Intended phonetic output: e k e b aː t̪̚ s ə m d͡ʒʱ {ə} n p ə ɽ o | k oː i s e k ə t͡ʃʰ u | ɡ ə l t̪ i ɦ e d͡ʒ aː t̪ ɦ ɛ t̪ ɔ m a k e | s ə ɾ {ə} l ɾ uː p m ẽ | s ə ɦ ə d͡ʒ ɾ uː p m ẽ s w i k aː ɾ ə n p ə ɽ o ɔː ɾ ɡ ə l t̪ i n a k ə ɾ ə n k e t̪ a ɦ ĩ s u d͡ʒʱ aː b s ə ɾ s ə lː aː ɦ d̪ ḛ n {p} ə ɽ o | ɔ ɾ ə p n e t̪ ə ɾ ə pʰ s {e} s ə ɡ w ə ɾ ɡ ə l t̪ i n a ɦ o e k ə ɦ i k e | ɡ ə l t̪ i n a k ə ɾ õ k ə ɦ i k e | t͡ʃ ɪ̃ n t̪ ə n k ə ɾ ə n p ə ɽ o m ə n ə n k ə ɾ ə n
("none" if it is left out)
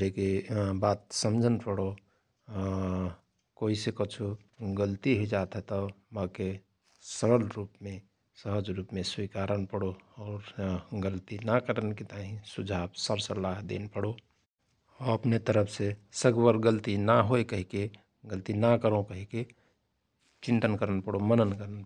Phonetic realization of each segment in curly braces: ə, ə, p, e

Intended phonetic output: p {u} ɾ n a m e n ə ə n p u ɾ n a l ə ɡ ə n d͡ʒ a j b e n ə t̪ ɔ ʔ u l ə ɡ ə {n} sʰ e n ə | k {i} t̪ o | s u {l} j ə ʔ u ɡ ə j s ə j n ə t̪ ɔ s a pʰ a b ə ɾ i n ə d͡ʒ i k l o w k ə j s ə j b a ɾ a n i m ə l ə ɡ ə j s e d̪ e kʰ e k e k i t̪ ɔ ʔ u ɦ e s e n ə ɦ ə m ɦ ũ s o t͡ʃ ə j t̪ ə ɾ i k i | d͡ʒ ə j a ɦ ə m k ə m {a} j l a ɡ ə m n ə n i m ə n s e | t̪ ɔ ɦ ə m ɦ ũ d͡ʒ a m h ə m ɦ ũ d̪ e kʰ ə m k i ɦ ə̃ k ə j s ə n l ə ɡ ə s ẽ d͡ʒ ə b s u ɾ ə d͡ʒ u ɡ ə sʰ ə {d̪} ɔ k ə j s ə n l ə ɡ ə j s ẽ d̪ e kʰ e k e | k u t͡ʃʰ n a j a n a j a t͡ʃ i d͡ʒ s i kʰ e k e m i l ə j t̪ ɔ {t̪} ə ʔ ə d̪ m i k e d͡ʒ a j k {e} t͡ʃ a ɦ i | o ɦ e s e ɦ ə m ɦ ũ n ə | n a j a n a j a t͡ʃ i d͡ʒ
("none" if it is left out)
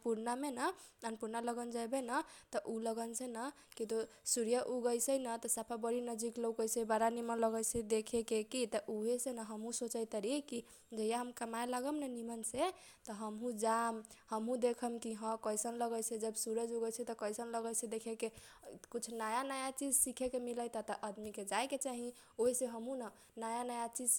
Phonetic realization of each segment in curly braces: u, n, i, ɾ, a, t̪, t̪, e

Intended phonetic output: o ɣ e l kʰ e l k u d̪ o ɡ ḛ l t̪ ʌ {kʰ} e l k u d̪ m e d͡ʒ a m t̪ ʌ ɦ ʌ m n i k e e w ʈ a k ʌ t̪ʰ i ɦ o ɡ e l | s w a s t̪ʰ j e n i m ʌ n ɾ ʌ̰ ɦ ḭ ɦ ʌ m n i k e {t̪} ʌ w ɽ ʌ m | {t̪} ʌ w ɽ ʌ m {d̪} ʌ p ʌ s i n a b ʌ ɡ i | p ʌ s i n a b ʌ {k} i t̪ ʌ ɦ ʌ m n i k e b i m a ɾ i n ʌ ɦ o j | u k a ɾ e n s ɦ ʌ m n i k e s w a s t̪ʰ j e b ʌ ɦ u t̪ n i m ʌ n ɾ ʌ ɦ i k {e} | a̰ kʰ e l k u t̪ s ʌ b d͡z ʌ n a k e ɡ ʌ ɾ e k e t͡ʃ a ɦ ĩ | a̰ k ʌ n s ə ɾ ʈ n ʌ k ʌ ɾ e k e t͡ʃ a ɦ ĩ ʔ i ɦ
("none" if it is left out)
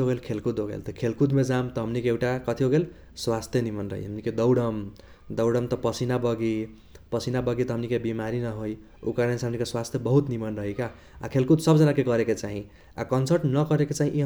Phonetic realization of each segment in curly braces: kʰ, d̪, d̪, t̪, ɡ, a

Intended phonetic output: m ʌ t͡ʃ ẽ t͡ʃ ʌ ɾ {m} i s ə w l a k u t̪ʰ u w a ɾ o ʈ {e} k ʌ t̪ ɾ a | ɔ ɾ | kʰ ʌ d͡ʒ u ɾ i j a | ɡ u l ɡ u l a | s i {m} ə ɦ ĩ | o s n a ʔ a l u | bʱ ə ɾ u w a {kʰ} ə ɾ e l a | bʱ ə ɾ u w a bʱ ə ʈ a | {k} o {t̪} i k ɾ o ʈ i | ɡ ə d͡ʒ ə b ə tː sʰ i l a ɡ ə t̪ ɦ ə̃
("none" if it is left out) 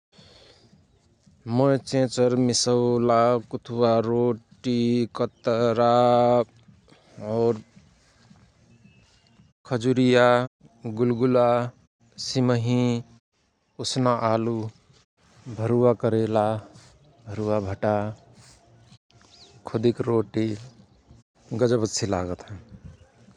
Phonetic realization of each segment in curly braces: m, i, m, k, kʰ, d̪

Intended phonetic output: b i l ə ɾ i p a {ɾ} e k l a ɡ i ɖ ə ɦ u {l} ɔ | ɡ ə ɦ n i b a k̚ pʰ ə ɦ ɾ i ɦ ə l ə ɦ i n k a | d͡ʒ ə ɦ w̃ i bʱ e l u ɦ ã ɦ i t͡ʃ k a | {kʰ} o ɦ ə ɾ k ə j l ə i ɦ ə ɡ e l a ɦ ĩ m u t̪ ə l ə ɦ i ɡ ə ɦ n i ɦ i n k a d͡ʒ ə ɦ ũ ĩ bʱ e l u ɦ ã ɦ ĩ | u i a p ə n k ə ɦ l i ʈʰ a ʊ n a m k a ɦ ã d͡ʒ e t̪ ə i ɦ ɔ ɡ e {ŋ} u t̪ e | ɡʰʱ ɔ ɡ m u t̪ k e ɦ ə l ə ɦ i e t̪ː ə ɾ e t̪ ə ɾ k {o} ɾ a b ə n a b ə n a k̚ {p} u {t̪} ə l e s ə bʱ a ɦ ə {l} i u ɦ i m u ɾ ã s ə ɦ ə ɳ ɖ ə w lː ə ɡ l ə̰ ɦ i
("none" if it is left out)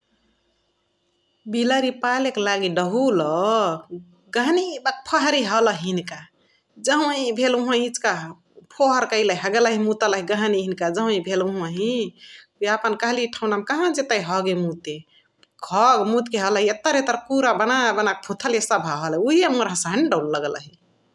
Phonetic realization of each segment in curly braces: l, l, pʰ, m, u, pʰ, t̪ʰ, l

